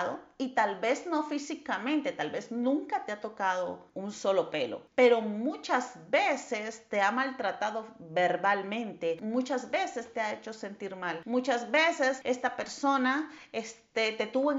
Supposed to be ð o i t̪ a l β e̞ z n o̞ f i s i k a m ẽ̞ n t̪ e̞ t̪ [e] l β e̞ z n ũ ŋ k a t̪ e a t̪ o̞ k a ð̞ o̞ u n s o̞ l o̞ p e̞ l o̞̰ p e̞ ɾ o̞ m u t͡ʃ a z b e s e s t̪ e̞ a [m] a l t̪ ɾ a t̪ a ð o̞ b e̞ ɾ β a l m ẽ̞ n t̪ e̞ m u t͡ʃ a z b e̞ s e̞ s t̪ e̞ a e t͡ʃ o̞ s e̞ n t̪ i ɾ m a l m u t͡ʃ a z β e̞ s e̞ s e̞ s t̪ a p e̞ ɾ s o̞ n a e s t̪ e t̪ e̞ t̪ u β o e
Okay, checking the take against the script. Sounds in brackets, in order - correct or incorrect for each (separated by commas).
incorrect, correct